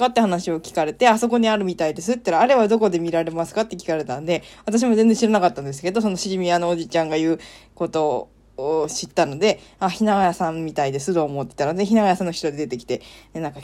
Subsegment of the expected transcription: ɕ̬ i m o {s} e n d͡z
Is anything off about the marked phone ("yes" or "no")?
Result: yes